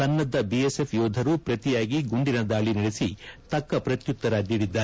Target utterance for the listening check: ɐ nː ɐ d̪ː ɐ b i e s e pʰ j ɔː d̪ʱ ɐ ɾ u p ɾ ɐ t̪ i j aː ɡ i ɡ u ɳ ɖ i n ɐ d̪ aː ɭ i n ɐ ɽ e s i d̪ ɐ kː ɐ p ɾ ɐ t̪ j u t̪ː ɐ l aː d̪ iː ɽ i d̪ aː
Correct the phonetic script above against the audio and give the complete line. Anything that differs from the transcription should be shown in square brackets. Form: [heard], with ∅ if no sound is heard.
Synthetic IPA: ɐ nː ɐ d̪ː ɐ b i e s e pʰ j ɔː d̪ʱ ɐ ɾ u p ɾ ɐ t̪ i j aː ɡ i ɡ u ɳ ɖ i n ɐ d̪ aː ɭ i n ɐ ɽ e s i [t̪] ɐ kː ɐ p ɾ ɐ t̪ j u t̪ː ɐ [ɾ] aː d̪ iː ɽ i [d̪ː] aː